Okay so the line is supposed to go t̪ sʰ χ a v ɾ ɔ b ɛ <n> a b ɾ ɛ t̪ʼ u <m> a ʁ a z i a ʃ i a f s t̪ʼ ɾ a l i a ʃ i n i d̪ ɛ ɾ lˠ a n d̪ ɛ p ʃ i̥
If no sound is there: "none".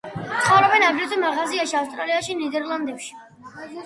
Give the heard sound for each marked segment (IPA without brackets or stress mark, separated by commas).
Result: n, m